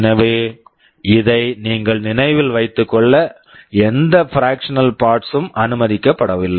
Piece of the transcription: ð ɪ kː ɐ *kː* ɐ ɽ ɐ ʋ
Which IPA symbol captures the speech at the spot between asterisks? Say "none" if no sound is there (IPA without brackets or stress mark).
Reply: pː